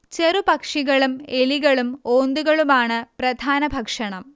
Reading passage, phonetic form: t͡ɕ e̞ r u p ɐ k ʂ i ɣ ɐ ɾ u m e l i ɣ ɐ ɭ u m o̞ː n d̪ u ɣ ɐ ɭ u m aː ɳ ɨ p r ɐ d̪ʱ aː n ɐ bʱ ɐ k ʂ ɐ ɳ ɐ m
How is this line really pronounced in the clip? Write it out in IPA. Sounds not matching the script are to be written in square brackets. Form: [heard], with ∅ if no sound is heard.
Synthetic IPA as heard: t͡ɕ e̞ r u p ɐ k ʂ i ɣ ɐ [ɭ] u m e l i ɣ ɐ ɭ u m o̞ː n d̪ u ɣ ɐ ɭ u m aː ɳ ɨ p r ɐ d̪ʱ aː n ɐ bʱ ɐ k ʂ ɐ ɳ ɐ m